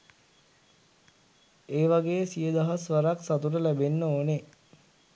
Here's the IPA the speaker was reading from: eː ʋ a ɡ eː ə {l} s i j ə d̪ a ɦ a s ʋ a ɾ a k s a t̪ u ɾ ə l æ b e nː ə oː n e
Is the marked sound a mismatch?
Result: yes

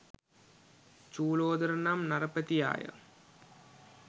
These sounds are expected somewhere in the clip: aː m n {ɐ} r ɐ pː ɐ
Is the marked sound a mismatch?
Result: no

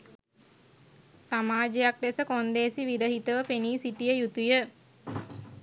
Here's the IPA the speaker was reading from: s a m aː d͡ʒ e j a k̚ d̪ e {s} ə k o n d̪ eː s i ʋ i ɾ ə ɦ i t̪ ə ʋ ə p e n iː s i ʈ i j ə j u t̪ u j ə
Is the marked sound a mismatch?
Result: no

